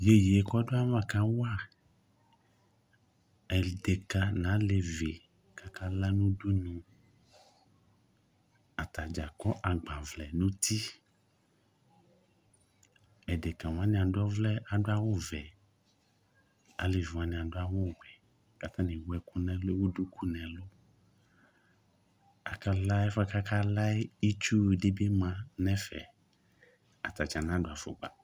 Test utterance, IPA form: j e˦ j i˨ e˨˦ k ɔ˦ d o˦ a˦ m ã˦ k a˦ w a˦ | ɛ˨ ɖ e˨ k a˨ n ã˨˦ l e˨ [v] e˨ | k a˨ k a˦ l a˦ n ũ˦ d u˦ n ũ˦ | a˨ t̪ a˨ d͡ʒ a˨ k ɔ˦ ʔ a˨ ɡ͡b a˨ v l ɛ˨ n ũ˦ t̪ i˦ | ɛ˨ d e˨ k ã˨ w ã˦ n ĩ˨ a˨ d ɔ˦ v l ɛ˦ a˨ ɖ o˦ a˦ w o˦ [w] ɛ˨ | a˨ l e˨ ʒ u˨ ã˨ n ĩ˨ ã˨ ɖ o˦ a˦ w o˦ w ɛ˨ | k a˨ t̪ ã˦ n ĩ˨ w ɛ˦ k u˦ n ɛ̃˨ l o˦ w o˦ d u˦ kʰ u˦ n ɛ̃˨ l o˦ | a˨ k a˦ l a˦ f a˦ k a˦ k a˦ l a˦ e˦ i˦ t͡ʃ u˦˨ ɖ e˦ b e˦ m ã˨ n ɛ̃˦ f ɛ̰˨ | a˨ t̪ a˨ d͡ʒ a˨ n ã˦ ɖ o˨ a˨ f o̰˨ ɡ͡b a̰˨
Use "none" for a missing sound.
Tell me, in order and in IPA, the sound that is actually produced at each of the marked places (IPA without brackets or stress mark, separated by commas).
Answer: v, v